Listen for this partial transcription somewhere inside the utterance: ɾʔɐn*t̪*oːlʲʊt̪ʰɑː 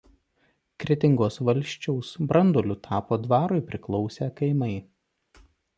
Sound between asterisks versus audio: incorrect: d̪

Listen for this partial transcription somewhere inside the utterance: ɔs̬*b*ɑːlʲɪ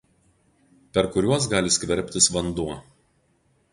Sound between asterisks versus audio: incorrect: ɡ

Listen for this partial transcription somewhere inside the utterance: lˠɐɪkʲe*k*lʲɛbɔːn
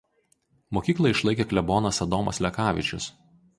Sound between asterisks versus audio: correct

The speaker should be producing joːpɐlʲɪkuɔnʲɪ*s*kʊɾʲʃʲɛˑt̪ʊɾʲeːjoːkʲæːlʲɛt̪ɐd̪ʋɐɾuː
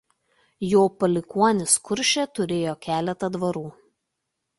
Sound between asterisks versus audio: correct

